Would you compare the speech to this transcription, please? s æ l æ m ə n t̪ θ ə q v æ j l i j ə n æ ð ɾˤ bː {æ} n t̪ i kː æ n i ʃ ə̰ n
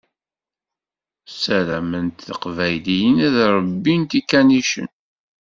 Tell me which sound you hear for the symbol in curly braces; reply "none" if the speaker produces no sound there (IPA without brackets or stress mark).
i